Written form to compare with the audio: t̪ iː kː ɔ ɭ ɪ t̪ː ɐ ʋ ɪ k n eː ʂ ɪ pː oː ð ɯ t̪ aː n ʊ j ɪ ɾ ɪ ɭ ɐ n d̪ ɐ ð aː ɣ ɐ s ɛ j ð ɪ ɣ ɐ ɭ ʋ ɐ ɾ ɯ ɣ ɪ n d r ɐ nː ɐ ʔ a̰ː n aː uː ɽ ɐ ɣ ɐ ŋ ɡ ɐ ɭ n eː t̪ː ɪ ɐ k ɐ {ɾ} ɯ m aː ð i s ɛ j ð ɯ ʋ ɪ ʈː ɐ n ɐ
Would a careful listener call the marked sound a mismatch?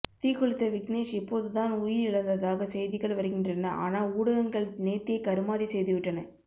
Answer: no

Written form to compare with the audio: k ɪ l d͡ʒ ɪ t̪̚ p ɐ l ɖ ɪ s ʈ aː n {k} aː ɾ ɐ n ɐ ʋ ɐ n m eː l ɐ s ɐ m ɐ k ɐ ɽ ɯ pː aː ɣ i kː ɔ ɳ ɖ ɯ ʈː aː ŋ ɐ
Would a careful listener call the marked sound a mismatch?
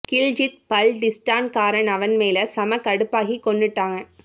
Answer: no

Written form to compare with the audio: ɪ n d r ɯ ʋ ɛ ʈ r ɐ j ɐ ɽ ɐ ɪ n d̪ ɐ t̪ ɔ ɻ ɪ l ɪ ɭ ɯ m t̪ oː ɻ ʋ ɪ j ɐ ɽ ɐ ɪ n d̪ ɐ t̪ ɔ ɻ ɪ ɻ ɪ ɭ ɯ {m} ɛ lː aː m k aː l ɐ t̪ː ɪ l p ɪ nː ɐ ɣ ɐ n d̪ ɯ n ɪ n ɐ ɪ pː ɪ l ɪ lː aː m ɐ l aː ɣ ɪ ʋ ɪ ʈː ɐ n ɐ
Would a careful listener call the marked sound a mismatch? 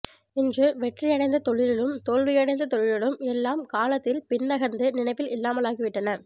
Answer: no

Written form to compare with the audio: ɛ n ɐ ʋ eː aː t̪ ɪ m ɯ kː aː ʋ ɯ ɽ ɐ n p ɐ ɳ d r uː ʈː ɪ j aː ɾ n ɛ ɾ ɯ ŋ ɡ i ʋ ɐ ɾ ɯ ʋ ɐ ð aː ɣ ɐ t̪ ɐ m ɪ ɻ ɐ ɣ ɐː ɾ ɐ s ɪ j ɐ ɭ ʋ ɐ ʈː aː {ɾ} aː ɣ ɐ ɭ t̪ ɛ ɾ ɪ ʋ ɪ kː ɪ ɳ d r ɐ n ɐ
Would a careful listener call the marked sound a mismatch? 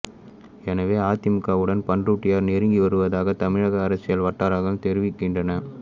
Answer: no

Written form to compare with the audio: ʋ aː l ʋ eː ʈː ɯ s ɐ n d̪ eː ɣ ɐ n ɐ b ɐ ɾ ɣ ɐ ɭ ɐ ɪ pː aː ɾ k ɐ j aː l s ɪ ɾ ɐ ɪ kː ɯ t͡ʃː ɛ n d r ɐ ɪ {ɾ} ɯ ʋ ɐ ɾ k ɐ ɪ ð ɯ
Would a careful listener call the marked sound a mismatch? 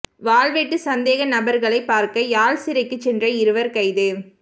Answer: no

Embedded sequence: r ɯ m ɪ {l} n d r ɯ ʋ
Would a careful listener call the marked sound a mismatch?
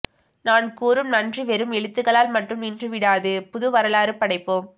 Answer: yes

